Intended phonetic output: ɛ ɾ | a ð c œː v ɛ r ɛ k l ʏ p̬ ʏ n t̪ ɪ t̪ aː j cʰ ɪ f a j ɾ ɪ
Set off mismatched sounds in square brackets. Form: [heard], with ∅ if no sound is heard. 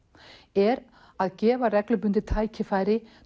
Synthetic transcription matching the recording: ɛ ɾ | a ð c [ɛː] v [a] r ɛ k l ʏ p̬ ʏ n t̪ ɪ [t̪ʰ] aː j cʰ ɪ f a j ɾ ɪ